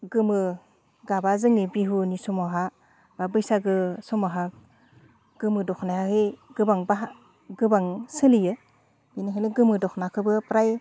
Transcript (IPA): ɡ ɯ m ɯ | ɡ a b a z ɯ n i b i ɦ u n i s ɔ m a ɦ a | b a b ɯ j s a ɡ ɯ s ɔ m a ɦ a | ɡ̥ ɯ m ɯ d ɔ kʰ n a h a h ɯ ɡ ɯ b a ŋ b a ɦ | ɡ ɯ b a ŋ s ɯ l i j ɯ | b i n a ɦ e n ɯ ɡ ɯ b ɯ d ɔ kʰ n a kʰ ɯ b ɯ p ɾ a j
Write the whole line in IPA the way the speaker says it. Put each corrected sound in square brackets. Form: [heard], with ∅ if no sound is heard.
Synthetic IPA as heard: ɡ ɯ m ɯ | ɡ a b a z ɯ [ŋ] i b i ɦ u n i s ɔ m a ɦ a | b a b ɯ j s a ɡ ɯ s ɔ m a ɦ a | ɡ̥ ɯ m ɯ d ɔ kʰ n a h a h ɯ ɡ ɯ b a ŋ b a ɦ | ɡ ɯ b a ŋ s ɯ l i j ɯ | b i n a ɦ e n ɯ ɡ ɯ [m] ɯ d ɔ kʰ n a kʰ ɯ b ɯ p ɾ a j